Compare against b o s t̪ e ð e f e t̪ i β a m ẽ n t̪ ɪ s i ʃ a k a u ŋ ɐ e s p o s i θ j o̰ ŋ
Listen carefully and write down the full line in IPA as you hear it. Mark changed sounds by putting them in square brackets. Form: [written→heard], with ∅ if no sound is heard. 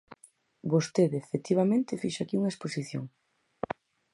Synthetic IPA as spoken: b o s t̪ e ð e f e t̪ i β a m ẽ n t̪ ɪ [s→f] i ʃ a k [a→i] u ŋ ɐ e s p o s i θ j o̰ ŋ